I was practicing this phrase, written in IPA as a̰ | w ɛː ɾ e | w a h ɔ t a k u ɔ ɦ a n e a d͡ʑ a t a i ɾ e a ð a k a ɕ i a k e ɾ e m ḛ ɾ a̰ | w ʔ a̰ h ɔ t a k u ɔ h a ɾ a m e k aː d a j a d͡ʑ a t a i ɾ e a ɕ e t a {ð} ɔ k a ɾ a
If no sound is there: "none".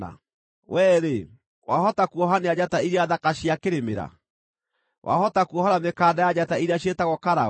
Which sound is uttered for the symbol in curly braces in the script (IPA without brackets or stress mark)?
ɣ